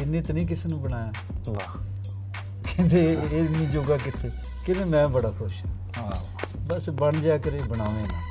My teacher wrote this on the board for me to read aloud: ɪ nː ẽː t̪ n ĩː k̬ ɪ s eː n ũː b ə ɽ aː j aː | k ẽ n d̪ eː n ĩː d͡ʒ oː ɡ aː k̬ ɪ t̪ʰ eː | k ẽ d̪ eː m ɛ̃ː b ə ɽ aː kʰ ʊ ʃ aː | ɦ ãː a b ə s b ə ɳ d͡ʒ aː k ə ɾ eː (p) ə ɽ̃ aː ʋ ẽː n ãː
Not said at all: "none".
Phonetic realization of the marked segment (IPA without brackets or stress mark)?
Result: b